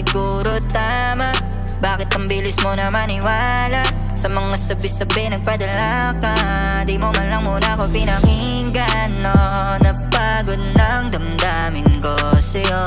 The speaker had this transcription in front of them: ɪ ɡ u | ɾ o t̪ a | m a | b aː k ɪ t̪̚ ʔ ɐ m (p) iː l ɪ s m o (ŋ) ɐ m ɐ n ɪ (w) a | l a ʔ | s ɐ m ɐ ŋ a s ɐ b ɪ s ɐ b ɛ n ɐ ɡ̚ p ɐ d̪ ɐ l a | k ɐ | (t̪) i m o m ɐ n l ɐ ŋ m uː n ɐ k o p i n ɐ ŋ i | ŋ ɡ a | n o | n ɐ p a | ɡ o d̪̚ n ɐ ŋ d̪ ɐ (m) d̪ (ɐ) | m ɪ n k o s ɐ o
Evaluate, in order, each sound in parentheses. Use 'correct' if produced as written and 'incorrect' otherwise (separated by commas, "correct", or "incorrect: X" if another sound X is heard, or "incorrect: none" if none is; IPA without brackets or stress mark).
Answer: incorrect: b, incorrect: n, correct, incorrect: d̪, correct, incorrect: a